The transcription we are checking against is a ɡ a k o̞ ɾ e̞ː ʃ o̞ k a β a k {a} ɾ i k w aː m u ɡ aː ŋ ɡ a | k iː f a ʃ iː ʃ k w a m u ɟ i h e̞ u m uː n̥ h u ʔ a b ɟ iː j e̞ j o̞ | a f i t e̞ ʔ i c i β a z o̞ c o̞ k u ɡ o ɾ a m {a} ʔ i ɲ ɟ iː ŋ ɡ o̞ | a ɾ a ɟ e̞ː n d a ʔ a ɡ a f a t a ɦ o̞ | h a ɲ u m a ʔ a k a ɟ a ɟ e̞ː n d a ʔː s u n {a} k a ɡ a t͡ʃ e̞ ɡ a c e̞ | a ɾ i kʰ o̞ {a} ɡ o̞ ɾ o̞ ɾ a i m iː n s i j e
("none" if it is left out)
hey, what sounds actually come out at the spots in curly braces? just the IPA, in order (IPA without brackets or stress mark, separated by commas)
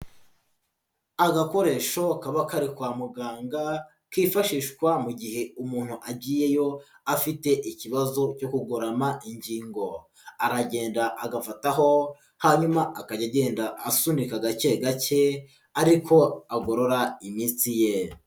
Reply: a, a, i, a